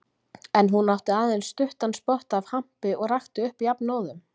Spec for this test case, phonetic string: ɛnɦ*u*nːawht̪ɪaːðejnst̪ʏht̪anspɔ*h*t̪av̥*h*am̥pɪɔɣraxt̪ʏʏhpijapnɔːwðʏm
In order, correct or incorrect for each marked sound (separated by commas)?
correct, correct, correct